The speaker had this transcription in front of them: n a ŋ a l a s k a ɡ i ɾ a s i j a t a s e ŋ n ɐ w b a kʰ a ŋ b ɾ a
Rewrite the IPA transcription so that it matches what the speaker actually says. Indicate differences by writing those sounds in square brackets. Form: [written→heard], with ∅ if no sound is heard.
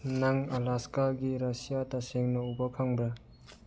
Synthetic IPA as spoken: n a ŋ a l a s k a ɡ i ɾ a s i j a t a s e ŋ n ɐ [w→u] b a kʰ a ŋ b ɾ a